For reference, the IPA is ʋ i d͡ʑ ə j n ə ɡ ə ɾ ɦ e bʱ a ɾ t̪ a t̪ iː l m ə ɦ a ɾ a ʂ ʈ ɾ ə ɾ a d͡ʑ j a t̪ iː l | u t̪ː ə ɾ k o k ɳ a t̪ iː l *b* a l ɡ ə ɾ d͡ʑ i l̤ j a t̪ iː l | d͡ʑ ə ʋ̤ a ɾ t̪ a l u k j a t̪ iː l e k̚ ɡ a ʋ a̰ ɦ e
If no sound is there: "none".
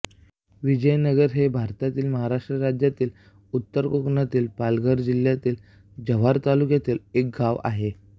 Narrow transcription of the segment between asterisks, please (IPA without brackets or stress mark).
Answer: p